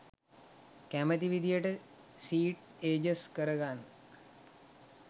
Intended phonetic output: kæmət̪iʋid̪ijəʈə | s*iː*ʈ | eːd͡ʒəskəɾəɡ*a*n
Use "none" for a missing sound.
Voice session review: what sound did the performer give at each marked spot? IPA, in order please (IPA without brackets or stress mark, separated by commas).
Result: iː, a